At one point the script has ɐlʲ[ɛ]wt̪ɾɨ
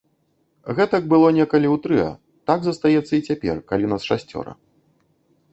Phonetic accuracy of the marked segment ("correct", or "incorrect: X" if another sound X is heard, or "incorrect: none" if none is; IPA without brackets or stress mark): incorrect: i